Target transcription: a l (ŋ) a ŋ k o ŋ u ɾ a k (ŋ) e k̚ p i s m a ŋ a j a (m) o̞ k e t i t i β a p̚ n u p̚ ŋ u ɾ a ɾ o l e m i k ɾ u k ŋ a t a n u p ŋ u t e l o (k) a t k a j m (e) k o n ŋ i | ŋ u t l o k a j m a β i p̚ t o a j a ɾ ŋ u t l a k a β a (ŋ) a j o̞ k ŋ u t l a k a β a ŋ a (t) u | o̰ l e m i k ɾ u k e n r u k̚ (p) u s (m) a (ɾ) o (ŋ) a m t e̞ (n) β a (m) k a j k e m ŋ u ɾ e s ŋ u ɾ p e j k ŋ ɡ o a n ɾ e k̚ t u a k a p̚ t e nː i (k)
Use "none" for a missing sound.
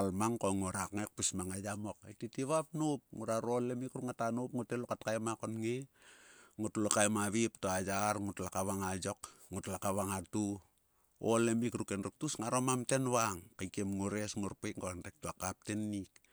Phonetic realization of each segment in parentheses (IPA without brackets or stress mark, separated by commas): m, ŋ, m, k, a, ŋ, t, t, ŋ, ɾ, m, n, ŋ, k